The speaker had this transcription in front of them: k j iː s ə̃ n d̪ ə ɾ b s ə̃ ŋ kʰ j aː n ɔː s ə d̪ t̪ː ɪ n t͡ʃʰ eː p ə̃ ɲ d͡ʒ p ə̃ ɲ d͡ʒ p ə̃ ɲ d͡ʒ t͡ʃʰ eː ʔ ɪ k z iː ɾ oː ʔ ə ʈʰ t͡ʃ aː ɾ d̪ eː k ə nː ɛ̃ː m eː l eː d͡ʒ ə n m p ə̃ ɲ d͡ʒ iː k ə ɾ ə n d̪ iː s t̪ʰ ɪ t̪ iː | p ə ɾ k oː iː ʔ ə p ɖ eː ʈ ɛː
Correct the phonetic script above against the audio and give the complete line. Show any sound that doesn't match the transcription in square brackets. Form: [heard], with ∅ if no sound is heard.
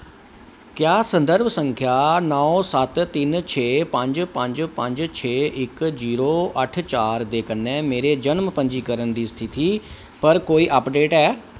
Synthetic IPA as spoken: k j [aː] s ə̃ n d̪ ə ɾ b s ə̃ ŋ kʰ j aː n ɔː s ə [t̪] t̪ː ɪ n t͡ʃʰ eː p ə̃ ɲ d͡ʒ p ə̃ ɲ d͡ʒ p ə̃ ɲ d͡ʒ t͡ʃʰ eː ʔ ɪ k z iː ɾ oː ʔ ə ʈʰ t͡ʃ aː ɾ d̪ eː k ə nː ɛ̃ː m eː [ɾ] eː d͡ʒ ə n m p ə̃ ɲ d͡ʒ iː k ə ɾ ə n d̪ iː s t̪ʰ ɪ t̪ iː | p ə ɾ k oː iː ʔ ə p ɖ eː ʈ ɛː